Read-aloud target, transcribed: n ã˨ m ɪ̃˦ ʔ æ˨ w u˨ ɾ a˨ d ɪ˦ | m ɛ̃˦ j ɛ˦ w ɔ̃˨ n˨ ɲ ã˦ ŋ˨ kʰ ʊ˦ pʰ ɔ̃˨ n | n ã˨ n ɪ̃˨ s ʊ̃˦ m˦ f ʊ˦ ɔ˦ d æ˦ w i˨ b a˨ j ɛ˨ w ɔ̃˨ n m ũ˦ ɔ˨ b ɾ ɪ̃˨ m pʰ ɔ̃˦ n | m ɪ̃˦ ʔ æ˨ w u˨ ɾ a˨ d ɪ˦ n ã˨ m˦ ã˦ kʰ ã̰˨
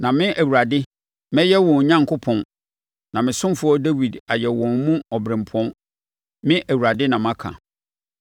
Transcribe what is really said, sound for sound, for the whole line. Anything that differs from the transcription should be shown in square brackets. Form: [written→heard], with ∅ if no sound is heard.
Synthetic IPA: n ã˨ m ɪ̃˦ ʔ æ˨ w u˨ ɾ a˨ d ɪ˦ | m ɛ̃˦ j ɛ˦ w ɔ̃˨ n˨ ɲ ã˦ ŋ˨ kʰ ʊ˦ pʰ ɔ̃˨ n | n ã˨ [n→m] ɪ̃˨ s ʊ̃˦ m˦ f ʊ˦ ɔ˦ d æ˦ w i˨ [b→d] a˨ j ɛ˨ w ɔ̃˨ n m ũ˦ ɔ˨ b ɾ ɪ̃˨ m pʰ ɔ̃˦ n | m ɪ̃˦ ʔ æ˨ w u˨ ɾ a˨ d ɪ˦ n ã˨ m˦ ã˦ kʰ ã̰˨